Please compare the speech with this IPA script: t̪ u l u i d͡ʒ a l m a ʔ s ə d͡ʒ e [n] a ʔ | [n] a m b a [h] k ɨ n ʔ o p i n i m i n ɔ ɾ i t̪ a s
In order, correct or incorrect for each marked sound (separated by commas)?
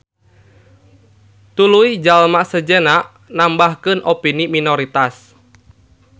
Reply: correct, correct, correct